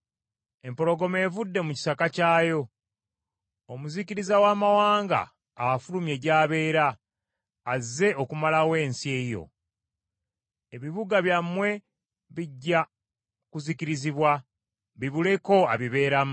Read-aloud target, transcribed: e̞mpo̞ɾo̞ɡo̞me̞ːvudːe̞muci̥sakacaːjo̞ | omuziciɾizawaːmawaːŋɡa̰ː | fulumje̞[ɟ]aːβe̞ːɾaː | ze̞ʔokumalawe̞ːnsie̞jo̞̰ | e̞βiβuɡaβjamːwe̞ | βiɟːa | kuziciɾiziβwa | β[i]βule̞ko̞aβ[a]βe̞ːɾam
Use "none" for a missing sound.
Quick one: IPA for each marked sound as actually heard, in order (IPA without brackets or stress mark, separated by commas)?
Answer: ɟ, i, i